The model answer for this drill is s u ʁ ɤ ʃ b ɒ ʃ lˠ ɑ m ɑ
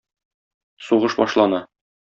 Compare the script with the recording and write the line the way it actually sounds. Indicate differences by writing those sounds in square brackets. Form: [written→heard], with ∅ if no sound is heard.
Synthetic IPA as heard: s u ʁ ɤ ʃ b ɒ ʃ lˠ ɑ [m→n] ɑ